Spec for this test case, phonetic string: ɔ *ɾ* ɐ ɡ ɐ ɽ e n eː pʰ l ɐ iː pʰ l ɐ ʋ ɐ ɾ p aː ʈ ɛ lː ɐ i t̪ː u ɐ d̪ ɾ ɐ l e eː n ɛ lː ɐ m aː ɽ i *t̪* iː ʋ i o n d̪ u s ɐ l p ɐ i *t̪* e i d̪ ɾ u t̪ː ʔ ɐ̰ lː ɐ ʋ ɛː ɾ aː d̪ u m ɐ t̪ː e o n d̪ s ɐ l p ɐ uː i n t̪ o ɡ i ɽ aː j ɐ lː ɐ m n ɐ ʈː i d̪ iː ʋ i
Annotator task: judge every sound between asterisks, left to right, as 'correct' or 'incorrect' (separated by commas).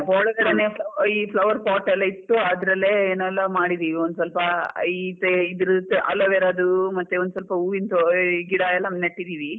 incorrect, incorrect, correct